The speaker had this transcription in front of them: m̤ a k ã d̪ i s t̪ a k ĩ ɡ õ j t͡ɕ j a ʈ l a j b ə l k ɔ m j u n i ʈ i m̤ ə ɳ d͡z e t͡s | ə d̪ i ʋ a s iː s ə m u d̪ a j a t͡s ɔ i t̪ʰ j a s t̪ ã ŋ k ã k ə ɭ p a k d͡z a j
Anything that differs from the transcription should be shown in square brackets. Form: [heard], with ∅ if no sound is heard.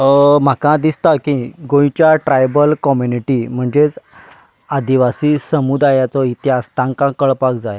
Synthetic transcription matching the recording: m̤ a k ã d̪ i s t̪ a k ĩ ɡ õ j t͡ɕ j a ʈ [ɾ] a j b ə l k ɔ m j u n i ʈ i m̤ ə ɳ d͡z e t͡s | [a] d̪ i ʋ a s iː s ə m u d̪ a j a t͡s ɔ i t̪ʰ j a s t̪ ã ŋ k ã k ə ɭ p a k d͡z a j